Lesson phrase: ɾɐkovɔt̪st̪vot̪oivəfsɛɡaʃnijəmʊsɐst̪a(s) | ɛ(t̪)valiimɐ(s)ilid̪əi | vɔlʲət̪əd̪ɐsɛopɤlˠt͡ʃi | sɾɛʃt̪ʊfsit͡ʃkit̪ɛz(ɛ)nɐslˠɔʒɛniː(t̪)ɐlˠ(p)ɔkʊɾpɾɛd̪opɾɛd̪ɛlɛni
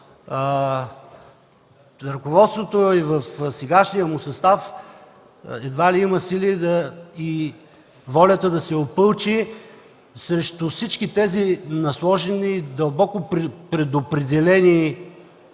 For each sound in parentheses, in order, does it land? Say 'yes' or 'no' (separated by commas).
no, no, yes, no, no, no